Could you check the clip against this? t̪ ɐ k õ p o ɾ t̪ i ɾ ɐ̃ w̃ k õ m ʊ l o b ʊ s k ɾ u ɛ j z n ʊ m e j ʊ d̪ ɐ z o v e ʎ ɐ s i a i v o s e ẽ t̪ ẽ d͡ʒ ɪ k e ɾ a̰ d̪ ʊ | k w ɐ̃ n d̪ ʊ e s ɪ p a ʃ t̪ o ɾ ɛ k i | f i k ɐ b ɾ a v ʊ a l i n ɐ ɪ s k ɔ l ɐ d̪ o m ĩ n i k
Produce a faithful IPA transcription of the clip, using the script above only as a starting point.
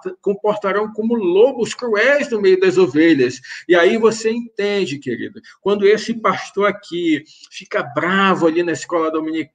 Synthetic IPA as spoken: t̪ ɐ k õ p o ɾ t̪ a ɾ ɐ̃ w̃ k õ m ʊ l o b ʊ s k ɾ u ɛ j z n ʊ m e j ʊ d̪ ɐ z o v e ʎ ɐ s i a i v o s e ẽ t̪ ẽ d͡ʒ ɪ k e ɾ ḭ d̪ ʊ | k w ɐ̃ n d̪ ʊ e s ɪ p a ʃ t̪ o ɾ a k i | f i k ɐ b ɾ a v ʊ a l i n ɐ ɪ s k ɔ l ɐ d̪ o m ĩ n i k